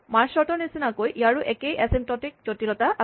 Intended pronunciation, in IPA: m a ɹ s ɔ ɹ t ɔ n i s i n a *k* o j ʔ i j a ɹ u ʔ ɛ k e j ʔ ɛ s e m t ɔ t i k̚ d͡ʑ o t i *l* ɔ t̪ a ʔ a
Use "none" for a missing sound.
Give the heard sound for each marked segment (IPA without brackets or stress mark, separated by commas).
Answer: k, l